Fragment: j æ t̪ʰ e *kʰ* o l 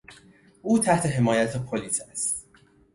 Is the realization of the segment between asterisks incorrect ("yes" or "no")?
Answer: yes